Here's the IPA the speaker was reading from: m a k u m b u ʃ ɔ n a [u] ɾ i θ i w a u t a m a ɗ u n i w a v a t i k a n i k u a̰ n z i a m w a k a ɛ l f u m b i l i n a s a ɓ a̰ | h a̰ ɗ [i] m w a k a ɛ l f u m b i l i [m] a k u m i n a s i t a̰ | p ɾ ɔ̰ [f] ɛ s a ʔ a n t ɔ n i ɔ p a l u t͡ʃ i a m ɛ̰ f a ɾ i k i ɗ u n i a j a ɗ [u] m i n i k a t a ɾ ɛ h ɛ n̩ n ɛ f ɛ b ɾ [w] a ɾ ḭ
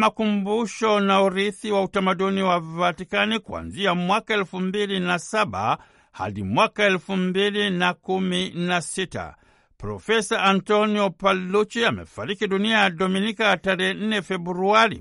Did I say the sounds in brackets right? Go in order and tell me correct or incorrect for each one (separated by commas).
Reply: correct, correct, incorrect, correct, incorrect, incorrect